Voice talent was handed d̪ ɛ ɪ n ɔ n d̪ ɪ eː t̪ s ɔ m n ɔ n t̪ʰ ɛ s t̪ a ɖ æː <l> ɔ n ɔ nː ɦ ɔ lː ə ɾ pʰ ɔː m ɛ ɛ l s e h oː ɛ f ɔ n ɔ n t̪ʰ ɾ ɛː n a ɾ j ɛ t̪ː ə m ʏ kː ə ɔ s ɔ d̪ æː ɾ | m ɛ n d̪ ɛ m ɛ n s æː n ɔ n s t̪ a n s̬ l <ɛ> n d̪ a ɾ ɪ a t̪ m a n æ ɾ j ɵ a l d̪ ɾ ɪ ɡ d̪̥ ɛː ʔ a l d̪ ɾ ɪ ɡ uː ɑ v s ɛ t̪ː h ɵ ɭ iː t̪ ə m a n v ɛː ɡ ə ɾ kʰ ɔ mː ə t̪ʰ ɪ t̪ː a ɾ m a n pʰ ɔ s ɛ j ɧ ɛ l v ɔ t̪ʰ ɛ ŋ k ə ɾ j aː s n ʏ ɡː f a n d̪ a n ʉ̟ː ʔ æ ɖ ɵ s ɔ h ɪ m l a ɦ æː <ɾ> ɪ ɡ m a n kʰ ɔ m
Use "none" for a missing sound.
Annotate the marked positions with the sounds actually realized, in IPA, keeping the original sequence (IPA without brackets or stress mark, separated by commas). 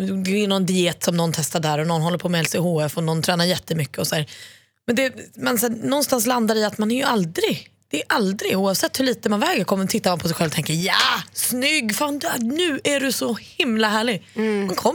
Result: ɾ, a, ɭ